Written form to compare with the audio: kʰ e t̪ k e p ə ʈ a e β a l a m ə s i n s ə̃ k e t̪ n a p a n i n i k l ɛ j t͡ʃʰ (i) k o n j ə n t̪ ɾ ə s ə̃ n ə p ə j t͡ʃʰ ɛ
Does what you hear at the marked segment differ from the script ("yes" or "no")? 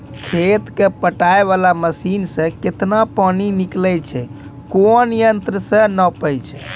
yes